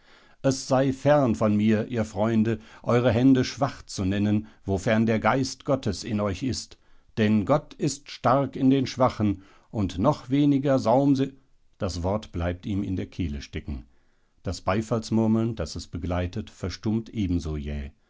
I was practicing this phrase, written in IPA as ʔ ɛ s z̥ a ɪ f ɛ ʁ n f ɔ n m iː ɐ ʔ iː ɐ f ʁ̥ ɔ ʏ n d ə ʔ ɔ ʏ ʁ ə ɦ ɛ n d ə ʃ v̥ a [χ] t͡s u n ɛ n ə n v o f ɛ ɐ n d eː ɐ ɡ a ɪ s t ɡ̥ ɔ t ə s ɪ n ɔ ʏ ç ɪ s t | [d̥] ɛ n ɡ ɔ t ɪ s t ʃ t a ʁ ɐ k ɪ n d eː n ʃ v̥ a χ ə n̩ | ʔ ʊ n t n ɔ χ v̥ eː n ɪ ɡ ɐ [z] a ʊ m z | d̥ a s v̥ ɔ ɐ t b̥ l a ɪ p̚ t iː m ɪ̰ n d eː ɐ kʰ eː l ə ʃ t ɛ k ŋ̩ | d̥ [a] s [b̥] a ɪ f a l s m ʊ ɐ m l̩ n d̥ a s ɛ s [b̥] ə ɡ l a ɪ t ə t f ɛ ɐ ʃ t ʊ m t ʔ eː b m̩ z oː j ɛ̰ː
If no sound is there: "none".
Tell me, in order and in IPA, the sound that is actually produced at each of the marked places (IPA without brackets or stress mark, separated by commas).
χ, d̥, z, a, b̥, b̥